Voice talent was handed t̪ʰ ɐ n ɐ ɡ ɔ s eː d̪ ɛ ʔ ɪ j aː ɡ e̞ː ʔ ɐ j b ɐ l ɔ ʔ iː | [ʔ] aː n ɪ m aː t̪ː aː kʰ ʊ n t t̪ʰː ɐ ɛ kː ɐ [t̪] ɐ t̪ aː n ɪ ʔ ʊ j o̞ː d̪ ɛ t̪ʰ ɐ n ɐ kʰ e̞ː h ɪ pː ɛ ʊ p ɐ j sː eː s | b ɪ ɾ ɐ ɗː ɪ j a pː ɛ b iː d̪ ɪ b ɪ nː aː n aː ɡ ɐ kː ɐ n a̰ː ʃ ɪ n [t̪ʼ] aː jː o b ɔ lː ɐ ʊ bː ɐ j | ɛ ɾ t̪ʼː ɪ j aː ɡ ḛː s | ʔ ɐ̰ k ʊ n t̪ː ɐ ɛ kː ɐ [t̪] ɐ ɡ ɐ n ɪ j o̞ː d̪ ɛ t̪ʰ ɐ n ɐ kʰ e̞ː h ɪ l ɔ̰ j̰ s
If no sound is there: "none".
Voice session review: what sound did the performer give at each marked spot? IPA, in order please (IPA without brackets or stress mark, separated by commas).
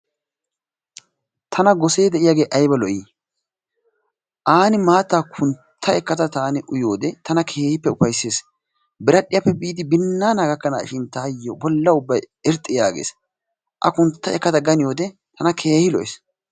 ʔ, t̪, t̪, t̪